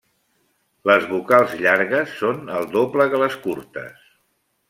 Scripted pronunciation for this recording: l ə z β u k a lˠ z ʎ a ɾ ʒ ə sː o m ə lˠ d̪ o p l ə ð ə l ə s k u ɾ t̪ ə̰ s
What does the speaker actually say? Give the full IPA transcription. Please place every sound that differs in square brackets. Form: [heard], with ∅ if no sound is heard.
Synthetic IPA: l ə z β u k a lˠ z ʎ a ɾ [ɣ] ə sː o [n] ə lˠ d̪ o p l ə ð ə l ə s k u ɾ t̪ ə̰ s